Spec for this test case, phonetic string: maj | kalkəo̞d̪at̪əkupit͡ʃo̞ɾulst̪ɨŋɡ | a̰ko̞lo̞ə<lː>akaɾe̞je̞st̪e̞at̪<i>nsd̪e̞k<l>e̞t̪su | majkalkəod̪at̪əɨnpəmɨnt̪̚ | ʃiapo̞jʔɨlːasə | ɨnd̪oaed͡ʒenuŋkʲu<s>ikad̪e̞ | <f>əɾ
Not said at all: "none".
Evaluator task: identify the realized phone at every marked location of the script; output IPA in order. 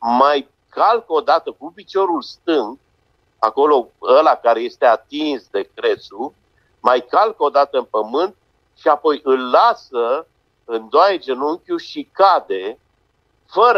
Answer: l, i, ɾ, ʃ, f

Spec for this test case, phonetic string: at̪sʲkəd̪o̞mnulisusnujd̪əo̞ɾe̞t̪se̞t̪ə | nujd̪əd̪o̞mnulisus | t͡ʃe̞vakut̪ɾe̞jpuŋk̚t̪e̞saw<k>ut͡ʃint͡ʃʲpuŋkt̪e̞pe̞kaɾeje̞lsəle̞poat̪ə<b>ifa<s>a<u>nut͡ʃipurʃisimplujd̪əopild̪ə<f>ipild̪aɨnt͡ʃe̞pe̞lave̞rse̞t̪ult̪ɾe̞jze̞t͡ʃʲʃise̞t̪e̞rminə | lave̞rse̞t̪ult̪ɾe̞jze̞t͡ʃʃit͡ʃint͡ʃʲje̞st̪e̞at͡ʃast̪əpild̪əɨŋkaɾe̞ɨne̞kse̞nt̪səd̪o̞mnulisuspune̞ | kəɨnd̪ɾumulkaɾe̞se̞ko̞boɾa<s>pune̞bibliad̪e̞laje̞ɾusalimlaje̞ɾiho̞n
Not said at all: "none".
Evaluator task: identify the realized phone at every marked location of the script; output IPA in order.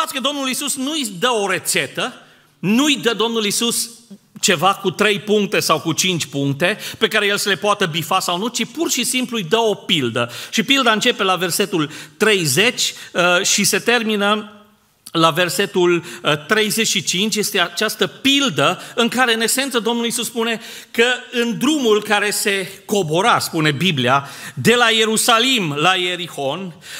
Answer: k, b, s, w, ʃ, s

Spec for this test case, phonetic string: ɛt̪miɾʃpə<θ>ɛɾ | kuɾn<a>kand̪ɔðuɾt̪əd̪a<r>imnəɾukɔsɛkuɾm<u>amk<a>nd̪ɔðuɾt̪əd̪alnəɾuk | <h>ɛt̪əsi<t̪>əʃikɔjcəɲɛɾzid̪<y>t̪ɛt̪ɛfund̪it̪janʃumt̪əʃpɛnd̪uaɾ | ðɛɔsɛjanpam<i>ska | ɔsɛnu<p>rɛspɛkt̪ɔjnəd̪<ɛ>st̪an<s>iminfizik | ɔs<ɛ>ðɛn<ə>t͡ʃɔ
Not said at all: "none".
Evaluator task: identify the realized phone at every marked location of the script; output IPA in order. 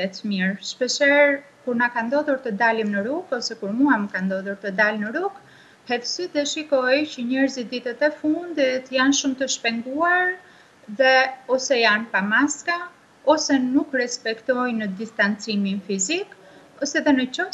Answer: ʃ, a, l, u, a, h, d̪, i, a, k, i, t͡s, ɛ, ə

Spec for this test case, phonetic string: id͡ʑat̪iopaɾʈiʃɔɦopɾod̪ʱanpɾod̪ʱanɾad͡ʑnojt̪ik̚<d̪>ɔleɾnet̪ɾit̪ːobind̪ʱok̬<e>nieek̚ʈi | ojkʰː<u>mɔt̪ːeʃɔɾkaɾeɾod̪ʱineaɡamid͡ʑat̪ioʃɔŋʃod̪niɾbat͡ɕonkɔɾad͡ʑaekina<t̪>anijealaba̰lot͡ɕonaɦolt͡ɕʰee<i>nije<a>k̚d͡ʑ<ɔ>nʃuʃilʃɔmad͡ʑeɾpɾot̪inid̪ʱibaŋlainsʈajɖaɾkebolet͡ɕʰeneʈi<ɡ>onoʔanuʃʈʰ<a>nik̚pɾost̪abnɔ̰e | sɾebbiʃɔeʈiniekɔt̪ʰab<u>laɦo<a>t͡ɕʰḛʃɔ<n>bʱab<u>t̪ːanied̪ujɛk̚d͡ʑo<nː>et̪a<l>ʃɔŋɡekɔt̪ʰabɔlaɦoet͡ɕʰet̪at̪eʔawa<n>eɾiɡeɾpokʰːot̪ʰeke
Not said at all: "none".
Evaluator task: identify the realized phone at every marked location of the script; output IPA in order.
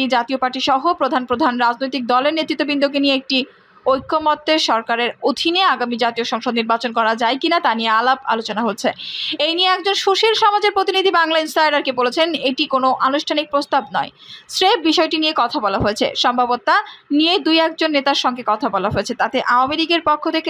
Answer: d̪, e, o, t̪, j, ɛ, o, k, a, ɔ, e, m, o, nː, ɾ, m

